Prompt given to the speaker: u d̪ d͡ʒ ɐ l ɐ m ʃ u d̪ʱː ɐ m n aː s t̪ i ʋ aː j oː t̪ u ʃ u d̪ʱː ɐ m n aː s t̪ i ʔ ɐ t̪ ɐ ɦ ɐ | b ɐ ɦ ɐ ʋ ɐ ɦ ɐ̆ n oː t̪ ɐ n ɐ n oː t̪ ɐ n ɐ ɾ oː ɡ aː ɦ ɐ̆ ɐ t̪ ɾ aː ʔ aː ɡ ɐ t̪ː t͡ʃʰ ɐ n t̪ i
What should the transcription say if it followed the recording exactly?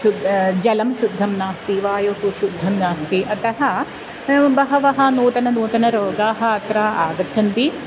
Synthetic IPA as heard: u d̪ d͡ʒ ɐ l ɐ m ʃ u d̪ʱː ɐ m n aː s t̪ i ʋ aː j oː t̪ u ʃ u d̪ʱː ɐ m n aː s t̪ i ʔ ɐ t̪ ɐ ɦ ɐ | b ɐ ɦ ɐ ʋ ɐ ɦ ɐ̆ n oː t̪ ɐ n ɐ n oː t̪ ɐ n ɐ ɾ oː ɡ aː ɦ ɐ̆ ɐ t̪ ɾ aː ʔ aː ɡ ɐ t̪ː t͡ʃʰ ɐ n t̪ i